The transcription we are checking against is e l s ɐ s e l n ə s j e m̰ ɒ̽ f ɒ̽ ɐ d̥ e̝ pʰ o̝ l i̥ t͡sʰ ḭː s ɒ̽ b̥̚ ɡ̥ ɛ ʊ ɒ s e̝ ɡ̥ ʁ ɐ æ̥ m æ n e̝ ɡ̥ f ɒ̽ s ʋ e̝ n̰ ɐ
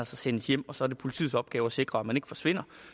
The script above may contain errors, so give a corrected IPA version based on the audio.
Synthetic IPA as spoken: æ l s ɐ s e n ə s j e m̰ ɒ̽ s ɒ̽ ɐ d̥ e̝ pʰ o̝ l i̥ t͡sʰ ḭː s ɒ̽ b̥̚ ɡ̥ ɛː ʊ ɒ s e̝ ɡ̥ ʁ ɐ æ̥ m æ n e̝ ɡ̥ f ɒ̽ s ʋ e̝ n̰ ɐ